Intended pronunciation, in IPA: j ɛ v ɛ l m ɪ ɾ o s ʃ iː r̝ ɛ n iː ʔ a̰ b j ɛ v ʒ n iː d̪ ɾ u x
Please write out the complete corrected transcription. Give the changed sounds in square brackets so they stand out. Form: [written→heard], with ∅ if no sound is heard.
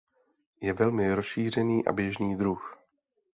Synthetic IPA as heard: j ɛ v ɛ l m ɪ ɾ o s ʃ iː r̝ ɛ n iː ʔ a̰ b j ɛ [v→∅] ʒ n iː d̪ ɾ u x